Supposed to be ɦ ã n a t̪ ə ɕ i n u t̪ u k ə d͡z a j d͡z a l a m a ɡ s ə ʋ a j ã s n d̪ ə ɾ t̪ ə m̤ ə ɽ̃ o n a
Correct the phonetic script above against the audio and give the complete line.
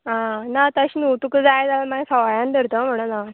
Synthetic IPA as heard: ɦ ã n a t̪ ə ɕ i n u t̪ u k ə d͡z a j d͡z a l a m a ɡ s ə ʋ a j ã n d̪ ə ɾ t̪ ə m̤ ə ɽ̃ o n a

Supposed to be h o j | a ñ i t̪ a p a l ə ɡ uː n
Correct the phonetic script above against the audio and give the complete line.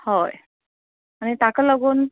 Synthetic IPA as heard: h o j | a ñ i t̪ a k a l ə ɡ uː n

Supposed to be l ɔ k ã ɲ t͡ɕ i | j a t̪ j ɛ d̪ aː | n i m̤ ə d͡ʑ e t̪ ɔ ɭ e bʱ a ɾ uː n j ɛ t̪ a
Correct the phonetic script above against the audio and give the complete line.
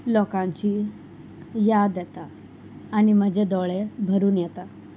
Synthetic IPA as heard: l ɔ k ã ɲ t͡ɕ i | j a d̪ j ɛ t̪ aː | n i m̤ ə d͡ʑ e d̪ ɔ ɭ e bʱ ə ɾ uː n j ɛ t̪ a

